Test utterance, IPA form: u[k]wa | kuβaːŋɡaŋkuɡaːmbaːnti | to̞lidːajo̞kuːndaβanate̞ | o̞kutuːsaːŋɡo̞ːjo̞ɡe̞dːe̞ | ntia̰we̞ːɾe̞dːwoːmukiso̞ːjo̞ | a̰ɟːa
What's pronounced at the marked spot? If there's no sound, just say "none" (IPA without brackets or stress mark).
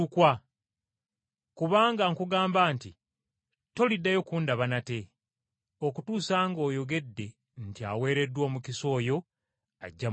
k